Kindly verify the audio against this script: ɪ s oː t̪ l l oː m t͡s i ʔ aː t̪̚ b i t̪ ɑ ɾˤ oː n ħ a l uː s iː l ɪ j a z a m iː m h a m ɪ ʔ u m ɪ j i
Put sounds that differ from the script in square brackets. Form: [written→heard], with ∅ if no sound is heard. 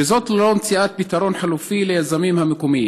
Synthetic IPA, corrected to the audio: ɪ [s→z] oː t̪ l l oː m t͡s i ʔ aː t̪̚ b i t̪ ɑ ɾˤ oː n ħ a l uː [s→f] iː l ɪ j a z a m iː m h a m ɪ [ʔ→k] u m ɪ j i